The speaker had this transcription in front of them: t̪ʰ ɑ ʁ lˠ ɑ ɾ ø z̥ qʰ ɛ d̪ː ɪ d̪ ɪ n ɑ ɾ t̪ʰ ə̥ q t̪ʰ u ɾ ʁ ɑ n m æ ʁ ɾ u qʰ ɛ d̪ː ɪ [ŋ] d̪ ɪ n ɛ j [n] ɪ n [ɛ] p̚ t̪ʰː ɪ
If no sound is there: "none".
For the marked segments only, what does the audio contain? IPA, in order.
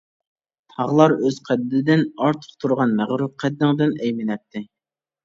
ŋ, m, ɛ

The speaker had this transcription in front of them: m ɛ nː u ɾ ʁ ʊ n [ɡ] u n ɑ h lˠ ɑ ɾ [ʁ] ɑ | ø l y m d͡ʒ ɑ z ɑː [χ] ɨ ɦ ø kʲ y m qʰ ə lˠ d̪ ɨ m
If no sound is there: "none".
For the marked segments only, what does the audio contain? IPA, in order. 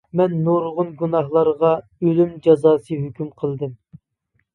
ɡ, ʁ, s

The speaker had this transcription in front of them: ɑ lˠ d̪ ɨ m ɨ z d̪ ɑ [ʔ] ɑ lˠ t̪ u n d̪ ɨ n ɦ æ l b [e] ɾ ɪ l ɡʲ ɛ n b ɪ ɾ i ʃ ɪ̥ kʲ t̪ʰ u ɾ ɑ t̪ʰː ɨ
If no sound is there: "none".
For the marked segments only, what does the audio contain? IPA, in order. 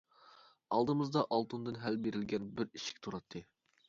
ʔ, e

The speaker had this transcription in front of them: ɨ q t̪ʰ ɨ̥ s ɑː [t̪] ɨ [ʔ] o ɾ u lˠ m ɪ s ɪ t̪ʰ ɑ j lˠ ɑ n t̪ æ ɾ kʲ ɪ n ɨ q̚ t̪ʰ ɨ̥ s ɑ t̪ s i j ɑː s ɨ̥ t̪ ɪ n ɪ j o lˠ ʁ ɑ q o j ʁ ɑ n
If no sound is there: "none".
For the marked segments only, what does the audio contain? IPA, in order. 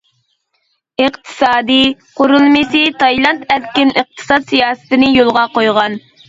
d̪, q

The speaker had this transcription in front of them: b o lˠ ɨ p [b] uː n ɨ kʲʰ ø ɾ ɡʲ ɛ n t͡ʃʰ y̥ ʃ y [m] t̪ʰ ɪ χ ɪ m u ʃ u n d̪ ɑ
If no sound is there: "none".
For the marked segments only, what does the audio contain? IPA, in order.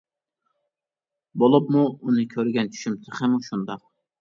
m, m

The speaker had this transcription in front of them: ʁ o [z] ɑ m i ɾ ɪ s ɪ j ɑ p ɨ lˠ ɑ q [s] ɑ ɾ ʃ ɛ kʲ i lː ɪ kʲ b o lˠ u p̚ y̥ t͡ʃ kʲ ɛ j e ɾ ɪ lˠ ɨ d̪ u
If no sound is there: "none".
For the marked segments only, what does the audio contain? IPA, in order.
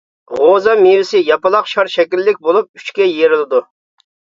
z, ʃ

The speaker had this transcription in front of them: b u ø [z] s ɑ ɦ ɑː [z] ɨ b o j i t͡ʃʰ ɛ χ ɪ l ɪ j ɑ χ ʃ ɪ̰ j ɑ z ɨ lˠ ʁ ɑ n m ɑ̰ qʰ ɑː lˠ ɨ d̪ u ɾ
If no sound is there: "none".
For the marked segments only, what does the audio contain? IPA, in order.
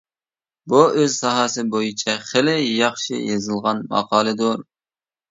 z, s

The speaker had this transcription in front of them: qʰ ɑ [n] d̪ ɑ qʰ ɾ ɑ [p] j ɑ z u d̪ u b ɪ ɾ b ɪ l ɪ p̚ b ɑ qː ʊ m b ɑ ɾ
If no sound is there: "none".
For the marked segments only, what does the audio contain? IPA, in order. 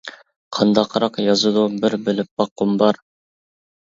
n, q

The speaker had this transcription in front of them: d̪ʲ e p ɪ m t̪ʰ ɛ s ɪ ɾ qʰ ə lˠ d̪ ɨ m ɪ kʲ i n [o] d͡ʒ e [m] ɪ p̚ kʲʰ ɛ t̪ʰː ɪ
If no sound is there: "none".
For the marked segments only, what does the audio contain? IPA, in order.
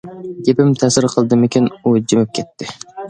u, m

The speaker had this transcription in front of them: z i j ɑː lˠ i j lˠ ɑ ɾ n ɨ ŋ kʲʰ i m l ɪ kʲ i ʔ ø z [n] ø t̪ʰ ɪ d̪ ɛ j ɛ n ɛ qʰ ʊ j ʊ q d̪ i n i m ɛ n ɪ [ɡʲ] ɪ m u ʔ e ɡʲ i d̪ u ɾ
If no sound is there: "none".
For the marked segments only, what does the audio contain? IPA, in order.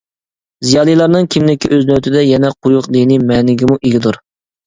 n, ɡʲ

